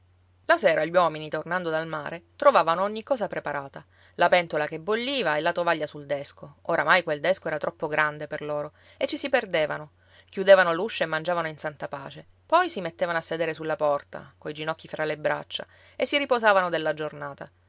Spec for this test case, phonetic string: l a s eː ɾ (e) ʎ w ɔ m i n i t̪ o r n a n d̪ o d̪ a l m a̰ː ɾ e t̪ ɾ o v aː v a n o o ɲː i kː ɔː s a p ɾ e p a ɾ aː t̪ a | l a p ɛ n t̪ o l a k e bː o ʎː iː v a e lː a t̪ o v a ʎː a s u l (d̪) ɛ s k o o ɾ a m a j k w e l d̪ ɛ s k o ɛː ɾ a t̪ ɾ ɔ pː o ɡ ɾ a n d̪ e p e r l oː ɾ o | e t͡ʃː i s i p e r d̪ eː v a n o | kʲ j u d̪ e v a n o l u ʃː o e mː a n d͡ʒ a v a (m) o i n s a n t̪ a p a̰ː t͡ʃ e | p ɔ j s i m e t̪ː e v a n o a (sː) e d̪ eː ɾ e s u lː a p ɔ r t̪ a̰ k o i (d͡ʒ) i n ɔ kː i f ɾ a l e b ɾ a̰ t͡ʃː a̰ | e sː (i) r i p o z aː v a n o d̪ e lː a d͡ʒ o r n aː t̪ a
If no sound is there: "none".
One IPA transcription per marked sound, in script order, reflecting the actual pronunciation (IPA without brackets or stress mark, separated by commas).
a, d̪, n, sː, d͡ʒ, i